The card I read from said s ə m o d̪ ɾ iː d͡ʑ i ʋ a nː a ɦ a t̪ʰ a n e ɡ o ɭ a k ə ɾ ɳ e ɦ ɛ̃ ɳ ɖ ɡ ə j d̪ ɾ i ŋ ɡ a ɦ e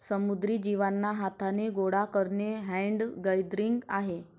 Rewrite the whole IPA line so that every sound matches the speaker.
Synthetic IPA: s ə m u d̪ ɾ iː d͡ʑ i ʋ a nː a ɦ a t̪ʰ a n e ɡ o ɽ a k ə ɾ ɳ e ɦ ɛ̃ ɳ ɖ ɡ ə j d̪ ɾ i ŋ ɡ a ɦ e